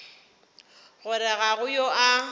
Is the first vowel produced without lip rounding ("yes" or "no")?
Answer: no